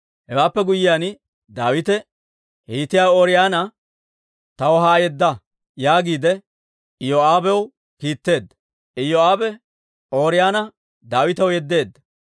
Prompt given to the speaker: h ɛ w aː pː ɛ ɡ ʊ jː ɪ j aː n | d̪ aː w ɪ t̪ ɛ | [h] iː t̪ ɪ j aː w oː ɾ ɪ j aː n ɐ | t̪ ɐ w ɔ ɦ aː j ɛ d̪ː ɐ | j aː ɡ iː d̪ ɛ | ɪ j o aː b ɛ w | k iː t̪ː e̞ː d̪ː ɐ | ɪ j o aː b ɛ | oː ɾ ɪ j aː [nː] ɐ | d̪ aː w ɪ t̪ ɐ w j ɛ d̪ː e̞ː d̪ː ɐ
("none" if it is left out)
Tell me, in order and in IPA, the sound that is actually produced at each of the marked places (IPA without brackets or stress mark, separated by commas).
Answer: h, n